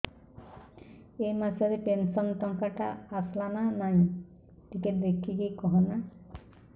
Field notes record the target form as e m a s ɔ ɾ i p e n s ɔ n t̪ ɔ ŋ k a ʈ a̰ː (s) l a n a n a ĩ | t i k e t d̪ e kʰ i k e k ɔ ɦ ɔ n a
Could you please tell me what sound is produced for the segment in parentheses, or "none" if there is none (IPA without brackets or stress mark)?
s